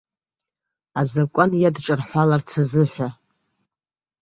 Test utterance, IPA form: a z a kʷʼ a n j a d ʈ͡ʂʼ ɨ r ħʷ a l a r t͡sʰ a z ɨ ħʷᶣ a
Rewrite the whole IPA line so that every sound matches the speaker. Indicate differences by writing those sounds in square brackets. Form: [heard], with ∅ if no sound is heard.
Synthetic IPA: a z a kʷʼ a n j a d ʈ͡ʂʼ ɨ r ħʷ a l a r t͡sʰ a z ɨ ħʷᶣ a